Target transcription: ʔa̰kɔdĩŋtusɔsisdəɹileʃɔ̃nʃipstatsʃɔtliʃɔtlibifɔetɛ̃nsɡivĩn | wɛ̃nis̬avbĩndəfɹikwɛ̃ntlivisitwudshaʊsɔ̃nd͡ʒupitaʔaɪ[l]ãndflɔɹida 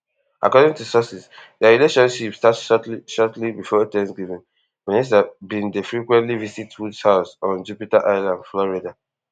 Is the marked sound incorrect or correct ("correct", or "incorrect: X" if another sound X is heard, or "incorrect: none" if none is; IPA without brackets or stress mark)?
correct